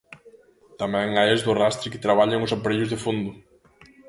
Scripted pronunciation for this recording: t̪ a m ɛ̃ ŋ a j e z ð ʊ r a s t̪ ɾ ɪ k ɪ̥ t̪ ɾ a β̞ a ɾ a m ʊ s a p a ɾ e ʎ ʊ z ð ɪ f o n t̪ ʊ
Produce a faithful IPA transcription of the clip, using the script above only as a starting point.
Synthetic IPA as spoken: t̪ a m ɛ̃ ŋ a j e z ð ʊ r a s t̪ ɾ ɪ k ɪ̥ t̪ ɾ a β̞ a ʎ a ŋ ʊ s a p a ɾ e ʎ ʊ z ð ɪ f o n d̪ ʊ